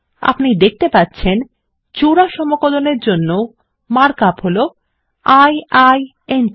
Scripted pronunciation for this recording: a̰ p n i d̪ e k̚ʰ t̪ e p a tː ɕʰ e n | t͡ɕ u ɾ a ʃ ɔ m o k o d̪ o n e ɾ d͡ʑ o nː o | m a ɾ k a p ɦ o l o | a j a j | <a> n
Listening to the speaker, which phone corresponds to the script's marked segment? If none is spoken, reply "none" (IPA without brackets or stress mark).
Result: e